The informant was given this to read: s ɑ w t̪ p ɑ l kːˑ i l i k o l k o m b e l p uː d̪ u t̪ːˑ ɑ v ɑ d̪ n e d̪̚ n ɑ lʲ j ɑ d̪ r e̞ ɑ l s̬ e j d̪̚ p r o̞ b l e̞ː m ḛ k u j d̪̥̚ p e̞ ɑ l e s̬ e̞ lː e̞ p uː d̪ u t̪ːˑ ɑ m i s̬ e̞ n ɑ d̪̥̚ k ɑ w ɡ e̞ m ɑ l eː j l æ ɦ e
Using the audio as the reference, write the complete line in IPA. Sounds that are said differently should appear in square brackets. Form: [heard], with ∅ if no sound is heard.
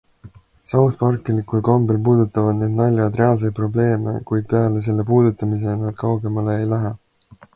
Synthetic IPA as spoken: s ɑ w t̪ p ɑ [r] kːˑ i l i k [u] l k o m b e l p uː d̪ u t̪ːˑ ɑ v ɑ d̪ n e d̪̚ n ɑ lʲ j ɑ d̪ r e̞ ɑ l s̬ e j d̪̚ p r o̞ b l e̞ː m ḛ k u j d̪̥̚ p e̞ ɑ l e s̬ e̞ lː e̞ p uː d̪ u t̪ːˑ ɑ m i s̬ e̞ n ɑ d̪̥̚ k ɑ w ɡ e̞ m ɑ l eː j l æ ɦ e

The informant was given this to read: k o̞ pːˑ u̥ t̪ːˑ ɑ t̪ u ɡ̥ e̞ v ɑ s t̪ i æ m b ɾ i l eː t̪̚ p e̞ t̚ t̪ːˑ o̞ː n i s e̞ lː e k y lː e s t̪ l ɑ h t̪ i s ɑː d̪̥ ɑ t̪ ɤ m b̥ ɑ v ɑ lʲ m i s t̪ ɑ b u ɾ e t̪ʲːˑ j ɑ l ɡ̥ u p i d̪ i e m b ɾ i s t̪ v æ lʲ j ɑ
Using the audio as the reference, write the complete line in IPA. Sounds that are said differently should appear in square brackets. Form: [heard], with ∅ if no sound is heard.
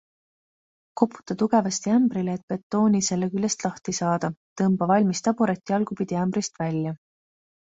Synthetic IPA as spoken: k o̞ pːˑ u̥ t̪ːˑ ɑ t̪ u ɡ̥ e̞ v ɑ s t̪ i æ m b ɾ i l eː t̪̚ p e̞ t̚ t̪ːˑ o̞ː n i s e̞ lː e k y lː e s t̪ l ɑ h t̪ i s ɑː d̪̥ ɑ t̪ ɤ m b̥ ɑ v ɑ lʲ m i s t̪ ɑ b u ɾ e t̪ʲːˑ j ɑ l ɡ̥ u p i d̪ i [æ] m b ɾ i s t̪ v æ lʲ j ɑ

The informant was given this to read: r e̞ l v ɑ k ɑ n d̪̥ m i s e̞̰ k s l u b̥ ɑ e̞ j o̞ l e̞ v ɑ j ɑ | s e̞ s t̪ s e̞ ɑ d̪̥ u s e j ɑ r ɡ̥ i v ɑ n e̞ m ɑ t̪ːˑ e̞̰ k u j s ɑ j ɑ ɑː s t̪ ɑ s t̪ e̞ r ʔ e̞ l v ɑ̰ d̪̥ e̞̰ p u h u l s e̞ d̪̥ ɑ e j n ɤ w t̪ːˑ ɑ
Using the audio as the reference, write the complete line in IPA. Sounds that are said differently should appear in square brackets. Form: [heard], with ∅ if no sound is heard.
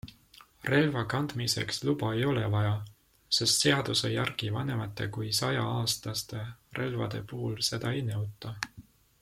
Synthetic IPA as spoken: r e̞ l v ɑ k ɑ n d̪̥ m i s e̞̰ k s l u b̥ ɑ e̞ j o̞ l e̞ v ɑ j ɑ | s e̞ s t̪ s e̞ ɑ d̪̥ u s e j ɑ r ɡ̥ i v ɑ n e̞ m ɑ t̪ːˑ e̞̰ k u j s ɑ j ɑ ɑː s t̪ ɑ s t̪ e̞ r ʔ e̞ l v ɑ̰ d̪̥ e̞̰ p u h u l s e̞ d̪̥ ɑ e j n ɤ w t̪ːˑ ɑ

